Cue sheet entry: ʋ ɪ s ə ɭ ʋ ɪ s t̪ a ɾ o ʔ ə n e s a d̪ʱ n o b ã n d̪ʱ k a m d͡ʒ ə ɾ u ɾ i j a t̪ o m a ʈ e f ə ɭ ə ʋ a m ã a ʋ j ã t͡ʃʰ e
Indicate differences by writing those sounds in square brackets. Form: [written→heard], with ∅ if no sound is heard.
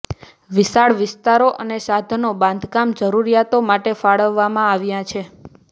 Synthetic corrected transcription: ʋ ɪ s [ə→a] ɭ ʋ ɪ s t̪ a ɾ o ʔ ə n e s a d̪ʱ n o b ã n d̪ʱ k a m d͡ʒ ə ɾ u ɾ i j a t̪ o m a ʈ e f [ə→a] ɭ ə [ʋ→ʋː] a m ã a ʋ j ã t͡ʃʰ e